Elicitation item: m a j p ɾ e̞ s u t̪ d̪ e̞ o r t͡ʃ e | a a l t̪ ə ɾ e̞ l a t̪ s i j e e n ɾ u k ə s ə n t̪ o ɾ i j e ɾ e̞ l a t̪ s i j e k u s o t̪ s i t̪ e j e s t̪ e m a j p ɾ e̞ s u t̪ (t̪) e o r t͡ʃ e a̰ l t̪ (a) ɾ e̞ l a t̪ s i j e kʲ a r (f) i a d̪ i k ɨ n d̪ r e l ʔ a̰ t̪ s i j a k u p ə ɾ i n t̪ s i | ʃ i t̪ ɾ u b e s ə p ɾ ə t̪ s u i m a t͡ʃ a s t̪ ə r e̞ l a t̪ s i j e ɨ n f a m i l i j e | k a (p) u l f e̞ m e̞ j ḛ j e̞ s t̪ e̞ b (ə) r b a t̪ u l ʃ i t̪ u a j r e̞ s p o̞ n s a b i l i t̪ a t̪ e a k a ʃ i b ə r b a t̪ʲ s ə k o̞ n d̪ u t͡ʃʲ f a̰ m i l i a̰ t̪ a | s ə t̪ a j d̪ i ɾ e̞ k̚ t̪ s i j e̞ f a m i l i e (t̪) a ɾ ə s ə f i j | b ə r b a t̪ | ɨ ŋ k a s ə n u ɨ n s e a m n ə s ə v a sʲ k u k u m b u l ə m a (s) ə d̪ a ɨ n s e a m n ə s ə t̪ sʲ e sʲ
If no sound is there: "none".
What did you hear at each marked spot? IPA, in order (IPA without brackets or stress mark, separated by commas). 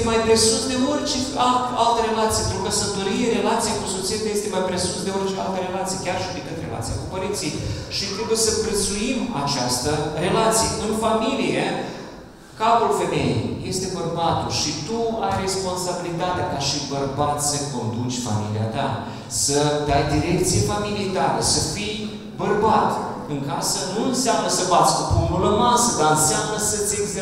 d̪, ə, ʃ, p, ə, t̪, s